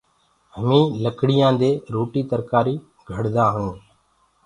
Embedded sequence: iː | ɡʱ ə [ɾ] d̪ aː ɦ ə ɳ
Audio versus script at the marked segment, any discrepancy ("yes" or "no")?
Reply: yes